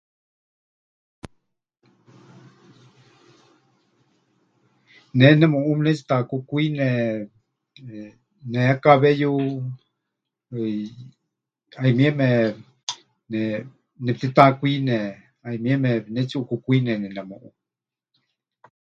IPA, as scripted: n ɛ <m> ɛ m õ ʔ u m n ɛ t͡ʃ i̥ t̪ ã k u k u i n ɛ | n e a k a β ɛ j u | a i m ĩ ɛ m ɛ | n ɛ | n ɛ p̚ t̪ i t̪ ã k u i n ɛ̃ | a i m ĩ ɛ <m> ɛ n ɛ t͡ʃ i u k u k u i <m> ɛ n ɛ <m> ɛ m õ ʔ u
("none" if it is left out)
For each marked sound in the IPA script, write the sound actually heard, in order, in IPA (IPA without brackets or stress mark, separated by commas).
n, m, n, n